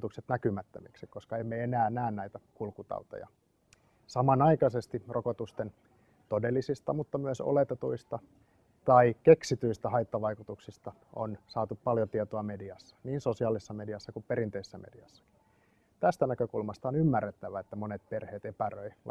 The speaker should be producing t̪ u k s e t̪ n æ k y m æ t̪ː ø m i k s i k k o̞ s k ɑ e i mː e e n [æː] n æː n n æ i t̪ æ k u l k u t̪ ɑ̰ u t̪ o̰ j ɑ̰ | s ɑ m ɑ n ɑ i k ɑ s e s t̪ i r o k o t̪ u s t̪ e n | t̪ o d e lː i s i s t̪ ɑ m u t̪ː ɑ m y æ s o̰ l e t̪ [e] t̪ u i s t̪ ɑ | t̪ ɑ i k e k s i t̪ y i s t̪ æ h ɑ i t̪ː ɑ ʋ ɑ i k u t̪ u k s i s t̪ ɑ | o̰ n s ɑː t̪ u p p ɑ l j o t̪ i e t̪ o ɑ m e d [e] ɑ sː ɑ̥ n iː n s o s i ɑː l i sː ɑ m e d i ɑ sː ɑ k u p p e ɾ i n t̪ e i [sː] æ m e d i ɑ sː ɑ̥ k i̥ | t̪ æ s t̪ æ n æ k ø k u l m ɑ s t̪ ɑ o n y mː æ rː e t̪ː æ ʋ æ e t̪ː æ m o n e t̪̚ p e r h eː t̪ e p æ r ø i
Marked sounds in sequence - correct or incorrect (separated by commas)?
correct, correct, incorrect, correct